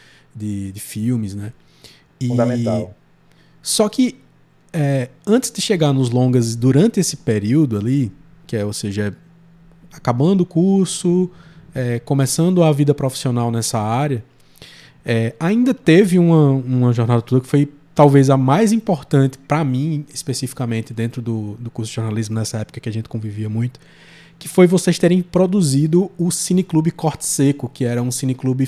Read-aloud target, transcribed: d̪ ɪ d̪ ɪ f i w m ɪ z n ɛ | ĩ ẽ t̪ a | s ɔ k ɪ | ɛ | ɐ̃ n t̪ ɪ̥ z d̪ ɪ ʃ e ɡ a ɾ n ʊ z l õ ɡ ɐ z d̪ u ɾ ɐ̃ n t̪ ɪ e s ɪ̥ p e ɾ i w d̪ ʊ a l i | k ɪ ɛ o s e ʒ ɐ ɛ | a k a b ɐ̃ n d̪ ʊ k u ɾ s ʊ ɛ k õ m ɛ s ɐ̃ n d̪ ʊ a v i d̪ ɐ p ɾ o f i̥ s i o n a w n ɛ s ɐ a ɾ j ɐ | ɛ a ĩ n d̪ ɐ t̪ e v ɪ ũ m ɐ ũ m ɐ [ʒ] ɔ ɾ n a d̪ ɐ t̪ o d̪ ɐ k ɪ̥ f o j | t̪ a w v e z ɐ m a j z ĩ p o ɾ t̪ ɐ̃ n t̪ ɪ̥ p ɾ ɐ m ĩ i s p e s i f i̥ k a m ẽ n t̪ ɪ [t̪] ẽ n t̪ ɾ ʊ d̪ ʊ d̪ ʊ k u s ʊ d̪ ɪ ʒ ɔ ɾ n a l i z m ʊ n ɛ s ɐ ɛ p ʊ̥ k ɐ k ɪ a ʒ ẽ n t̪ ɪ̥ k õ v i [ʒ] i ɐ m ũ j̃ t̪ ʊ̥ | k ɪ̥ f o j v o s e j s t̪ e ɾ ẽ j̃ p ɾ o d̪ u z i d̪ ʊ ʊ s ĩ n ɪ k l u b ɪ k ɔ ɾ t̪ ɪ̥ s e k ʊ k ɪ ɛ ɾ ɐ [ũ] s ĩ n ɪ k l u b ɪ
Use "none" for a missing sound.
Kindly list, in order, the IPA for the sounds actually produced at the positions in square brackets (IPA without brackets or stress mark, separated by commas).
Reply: ʒ, d̪, v, ũ